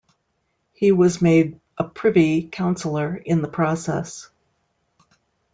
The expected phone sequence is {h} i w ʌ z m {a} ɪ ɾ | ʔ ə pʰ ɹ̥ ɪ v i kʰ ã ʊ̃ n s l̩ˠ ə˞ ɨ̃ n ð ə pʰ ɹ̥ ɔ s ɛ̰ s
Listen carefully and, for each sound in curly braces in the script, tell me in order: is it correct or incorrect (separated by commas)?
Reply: correct, incorrect